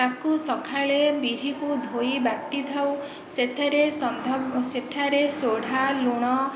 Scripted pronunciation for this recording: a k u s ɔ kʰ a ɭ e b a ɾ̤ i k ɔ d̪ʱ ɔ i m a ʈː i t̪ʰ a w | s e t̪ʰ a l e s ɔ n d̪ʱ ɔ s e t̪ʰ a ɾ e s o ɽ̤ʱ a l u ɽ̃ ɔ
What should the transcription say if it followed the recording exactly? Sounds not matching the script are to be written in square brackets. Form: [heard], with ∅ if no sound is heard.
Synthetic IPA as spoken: a k u s ɔ kʰ a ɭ e b [i] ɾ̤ i k [u] d̪ʱ [o] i [b] a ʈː i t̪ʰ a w | s e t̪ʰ a [ɾ] e s ɔ n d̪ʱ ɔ s e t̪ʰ a ɾ e s o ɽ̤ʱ a l u ɽ̃ ɔ